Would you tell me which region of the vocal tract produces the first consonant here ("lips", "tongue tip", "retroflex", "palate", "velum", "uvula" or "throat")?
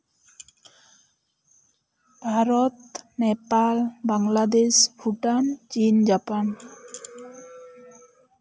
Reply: lips